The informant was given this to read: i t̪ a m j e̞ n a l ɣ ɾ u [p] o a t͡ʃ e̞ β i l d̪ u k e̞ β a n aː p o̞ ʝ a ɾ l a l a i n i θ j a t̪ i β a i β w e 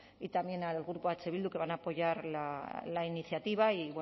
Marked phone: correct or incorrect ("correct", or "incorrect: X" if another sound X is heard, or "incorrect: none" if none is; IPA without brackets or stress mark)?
correct